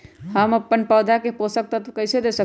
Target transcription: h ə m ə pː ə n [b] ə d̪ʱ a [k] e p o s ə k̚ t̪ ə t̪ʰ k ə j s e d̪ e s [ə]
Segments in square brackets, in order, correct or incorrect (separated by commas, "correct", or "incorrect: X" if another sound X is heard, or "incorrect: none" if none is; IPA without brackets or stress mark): incorrect: p, correct, correct